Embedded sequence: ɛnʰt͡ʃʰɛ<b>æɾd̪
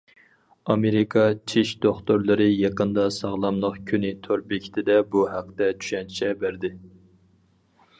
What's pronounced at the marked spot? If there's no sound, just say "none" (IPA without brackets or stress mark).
b